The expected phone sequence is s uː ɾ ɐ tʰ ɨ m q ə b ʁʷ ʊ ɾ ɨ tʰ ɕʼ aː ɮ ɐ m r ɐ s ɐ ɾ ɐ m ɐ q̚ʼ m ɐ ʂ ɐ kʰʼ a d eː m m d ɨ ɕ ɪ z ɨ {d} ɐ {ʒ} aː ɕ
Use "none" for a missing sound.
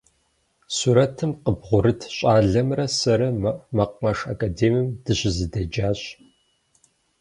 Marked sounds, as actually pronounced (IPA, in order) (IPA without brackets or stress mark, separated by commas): d, d͡ʒ